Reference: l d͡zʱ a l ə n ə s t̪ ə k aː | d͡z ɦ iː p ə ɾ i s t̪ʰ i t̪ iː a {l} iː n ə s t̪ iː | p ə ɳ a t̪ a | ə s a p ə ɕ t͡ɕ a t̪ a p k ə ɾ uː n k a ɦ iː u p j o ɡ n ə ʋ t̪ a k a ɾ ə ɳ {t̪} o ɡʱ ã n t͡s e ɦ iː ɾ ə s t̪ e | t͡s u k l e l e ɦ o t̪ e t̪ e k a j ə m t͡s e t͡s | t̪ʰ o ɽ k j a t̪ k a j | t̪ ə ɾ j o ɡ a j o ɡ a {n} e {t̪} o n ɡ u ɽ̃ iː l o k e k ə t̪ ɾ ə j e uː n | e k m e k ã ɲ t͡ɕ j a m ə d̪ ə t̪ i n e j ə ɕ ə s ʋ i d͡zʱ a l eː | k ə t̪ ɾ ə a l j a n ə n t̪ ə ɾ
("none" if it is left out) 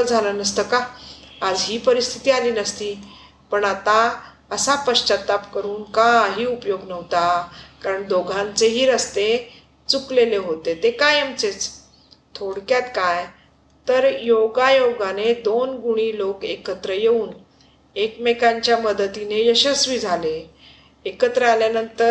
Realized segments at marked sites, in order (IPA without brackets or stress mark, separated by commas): l, d̪, n, d̪